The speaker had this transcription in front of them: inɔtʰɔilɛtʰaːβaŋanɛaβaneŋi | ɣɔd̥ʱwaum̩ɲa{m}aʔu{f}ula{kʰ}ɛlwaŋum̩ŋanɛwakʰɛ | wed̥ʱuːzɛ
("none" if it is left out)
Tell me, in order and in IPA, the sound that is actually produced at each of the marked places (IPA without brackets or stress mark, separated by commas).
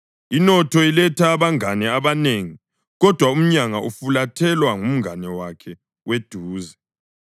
ŋ, f, tʰ